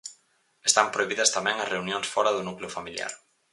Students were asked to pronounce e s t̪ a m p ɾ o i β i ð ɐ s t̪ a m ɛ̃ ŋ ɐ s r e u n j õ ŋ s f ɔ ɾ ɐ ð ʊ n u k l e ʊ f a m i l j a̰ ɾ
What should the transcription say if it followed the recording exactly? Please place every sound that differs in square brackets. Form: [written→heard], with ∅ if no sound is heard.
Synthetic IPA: e s t̪ a m p ɾ o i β i ð ɐ s t̪ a m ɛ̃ ŋ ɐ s r e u n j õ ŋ s f ɔ ɾ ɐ ð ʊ n u k l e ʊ f a m i l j a̰ ɾ